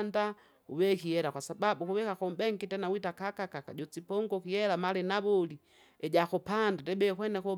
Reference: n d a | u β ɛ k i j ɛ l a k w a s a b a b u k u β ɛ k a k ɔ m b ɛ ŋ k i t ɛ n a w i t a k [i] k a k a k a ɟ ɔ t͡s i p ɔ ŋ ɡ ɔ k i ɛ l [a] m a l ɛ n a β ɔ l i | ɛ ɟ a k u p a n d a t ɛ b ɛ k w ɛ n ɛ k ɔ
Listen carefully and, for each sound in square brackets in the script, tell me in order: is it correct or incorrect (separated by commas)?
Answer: incorrect, correct